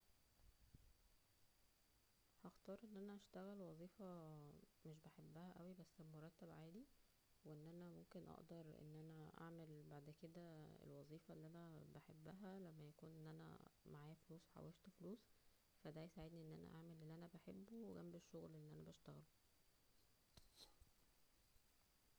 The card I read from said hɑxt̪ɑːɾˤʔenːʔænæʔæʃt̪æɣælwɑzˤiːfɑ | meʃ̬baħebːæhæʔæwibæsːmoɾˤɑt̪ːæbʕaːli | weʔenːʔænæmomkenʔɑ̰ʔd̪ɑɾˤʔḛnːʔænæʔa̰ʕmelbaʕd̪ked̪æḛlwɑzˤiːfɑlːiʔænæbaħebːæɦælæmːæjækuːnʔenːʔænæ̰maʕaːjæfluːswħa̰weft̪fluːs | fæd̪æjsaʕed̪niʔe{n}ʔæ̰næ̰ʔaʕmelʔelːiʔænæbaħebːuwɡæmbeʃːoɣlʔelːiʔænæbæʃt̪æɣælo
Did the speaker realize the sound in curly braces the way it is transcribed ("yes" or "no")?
no